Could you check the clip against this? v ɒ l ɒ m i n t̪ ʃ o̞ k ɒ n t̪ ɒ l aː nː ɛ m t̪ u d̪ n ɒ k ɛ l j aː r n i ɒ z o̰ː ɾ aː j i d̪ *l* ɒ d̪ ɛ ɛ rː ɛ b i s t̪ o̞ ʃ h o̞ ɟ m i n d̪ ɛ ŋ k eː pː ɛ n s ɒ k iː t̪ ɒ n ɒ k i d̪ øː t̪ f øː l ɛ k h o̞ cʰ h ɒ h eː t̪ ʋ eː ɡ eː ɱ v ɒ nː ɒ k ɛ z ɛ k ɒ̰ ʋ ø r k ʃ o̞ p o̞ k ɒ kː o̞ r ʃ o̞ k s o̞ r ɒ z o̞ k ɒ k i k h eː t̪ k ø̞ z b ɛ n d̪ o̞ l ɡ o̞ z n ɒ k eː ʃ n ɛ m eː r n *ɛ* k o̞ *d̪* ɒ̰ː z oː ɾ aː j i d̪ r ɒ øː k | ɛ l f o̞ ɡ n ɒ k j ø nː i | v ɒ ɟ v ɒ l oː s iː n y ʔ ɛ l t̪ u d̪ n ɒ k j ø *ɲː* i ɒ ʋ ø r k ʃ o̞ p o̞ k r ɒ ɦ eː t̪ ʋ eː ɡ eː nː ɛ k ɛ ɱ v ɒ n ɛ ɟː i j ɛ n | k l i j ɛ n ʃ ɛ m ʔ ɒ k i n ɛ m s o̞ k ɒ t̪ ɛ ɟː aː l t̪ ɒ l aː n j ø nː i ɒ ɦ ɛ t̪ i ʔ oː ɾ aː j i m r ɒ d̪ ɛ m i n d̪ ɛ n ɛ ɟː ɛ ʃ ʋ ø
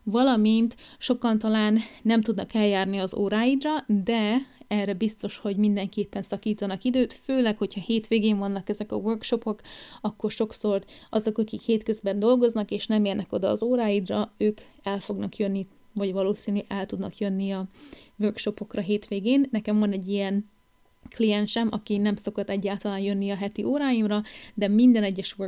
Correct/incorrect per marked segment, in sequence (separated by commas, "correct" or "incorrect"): incorrect, correct, correct, incorrect